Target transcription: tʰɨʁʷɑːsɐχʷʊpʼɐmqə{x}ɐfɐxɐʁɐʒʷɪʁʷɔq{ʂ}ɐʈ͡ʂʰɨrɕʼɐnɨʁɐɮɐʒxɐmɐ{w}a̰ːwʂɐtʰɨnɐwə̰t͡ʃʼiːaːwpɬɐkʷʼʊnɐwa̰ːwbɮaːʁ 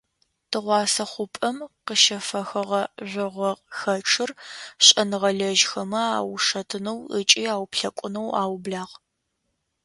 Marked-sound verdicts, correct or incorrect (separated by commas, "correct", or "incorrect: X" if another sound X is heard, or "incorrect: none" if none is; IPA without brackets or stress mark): incorrect: ʃ, incorrect: x, incorrect: none